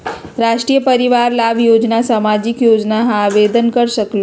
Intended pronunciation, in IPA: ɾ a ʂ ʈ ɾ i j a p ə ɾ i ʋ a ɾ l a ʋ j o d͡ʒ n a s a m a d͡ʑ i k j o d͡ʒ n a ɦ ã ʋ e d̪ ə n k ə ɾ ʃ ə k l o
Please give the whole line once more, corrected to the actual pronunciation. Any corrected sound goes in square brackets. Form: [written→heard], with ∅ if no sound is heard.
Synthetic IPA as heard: ɾ a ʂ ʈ ɾ i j [a→ə] p ə ɾ i ʋ a ɾ l a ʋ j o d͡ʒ n a s a m a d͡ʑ i k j o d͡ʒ n a ɦ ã ʋ e d̪ ə n k ə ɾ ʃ ə k l o